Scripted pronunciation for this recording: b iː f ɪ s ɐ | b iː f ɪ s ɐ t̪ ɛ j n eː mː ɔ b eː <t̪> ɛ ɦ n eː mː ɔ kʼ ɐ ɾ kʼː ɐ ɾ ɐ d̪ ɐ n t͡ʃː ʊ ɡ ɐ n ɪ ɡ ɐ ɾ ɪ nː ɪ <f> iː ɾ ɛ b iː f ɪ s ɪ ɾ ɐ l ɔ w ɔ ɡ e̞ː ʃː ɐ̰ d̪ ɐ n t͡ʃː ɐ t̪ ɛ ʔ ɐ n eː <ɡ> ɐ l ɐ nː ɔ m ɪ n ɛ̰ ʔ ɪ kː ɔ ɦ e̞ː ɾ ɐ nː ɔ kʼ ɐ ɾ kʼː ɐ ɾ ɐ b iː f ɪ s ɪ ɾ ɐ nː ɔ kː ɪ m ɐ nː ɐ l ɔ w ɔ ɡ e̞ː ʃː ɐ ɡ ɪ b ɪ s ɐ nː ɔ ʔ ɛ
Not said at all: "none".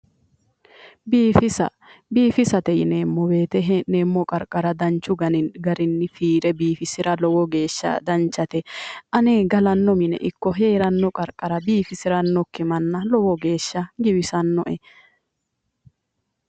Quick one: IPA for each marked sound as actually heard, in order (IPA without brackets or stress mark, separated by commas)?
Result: t̪, f, ɡ